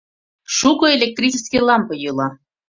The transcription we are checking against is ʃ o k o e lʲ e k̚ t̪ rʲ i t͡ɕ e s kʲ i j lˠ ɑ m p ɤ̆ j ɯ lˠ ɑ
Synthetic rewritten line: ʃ u k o e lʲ e k̚ t̪ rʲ i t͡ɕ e s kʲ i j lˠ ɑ m p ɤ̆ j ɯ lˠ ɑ